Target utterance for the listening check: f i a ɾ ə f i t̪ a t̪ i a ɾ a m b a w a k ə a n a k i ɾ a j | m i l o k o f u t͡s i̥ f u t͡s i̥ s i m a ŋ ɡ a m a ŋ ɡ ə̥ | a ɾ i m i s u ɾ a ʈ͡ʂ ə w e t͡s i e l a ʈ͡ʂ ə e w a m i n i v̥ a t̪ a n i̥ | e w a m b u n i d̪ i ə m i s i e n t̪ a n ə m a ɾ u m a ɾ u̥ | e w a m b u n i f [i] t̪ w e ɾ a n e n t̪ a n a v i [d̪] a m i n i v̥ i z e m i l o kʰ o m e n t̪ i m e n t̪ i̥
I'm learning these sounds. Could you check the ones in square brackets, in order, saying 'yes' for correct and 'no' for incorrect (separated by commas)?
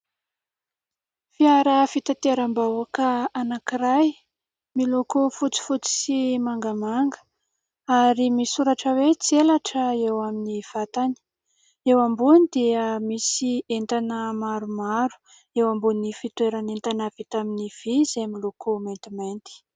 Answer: yes, no